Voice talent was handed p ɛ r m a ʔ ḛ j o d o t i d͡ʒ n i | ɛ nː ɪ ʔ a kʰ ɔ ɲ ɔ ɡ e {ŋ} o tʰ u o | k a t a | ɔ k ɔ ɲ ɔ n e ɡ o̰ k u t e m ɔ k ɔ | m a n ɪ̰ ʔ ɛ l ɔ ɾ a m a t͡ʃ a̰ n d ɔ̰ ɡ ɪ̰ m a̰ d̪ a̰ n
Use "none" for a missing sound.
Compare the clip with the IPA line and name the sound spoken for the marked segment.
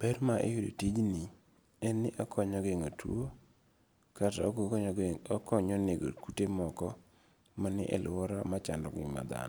ŋ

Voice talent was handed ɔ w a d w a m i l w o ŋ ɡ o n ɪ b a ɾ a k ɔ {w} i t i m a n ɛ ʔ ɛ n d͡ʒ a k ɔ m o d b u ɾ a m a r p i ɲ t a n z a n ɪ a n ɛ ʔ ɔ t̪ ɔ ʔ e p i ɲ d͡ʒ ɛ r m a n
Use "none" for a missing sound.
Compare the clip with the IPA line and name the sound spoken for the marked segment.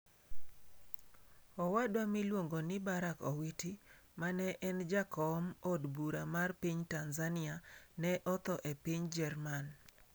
w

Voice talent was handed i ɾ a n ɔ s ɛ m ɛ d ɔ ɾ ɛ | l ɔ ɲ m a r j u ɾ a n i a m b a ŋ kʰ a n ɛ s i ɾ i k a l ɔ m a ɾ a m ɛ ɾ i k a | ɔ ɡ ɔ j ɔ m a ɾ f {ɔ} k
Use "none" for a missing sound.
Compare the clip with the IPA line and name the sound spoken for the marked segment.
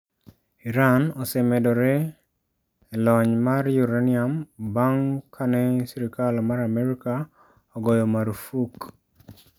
u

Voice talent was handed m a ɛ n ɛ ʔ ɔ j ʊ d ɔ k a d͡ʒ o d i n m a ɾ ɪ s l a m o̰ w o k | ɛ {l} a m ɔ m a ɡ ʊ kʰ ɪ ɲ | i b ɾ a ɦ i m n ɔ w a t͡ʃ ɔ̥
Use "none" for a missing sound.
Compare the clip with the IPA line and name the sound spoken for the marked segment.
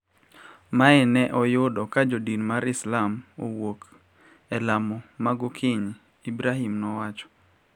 l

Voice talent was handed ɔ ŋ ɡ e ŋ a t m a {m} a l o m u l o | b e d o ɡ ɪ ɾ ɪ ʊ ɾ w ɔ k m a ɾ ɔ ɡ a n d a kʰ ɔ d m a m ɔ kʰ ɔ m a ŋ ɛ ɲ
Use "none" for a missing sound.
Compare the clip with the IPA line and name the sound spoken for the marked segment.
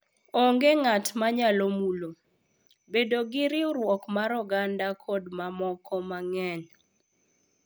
ɲ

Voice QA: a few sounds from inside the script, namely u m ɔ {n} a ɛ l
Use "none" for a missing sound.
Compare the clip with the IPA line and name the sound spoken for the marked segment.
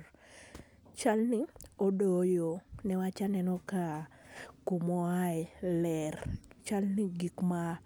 none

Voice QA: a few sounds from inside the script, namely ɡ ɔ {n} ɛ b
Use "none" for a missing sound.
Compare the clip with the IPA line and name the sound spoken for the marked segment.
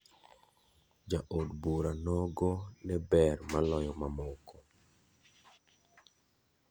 n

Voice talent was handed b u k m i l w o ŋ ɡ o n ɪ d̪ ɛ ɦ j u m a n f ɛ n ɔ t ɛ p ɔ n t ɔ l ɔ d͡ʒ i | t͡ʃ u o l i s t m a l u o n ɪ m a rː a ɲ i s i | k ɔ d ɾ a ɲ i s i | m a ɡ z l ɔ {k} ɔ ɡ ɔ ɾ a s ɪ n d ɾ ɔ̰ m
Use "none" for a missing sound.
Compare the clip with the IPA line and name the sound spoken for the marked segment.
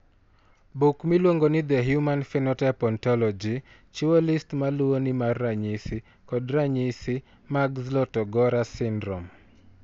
t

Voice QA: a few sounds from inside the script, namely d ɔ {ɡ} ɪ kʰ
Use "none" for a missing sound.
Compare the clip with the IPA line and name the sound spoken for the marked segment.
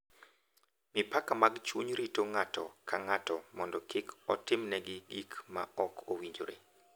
k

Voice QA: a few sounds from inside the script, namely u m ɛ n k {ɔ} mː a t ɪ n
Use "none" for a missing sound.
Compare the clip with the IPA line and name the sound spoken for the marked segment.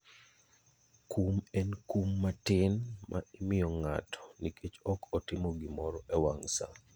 u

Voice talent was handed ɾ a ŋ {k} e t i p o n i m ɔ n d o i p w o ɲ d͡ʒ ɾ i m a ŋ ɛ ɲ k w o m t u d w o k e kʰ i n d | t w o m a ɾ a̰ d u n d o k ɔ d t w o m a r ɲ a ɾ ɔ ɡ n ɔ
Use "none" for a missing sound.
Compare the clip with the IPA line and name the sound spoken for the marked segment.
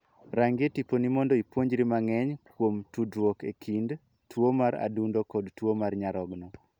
ɡ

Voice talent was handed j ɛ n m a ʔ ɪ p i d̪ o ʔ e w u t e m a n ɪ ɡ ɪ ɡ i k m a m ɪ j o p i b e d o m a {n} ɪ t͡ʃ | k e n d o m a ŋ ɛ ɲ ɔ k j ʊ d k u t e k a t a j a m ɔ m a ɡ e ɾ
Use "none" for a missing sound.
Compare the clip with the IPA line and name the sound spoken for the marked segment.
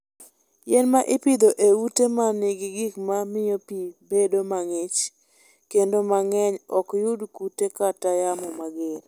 ŋ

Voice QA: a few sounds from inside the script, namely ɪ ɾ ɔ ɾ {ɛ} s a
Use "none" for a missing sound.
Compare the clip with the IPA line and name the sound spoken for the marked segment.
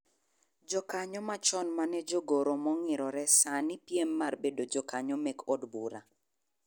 ɛ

